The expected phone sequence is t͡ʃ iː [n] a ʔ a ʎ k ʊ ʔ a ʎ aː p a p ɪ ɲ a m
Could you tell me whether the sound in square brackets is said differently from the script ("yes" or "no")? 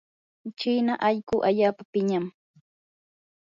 no